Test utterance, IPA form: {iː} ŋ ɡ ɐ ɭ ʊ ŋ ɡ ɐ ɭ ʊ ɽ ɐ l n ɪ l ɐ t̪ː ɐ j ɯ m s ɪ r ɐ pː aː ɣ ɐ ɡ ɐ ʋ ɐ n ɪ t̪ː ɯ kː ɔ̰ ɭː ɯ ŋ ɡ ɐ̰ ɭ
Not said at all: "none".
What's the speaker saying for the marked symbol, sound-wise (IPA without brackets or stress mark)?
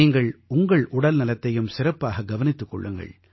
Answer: iː